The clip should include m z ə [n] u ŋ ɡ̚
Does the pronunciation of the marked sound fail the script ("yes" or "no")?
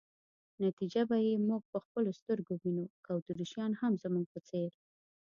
yes